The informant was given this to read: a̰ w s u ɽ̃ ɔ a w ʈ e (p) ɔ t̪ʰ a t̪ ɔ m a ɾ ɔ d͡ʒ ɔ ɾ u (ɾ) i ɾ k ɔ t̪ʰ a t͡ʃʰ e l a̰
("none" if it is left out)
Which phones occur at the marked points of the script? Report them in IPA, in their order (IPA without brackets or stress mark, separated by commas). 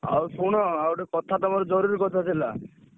k, ɾ